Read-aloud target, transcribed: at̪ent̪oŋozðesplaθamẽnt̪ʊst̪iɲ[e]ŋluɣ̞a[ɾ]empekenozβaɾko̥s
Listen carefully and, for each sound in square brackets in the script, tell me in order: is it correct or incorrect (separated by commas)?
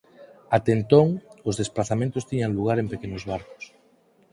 incorrect, correct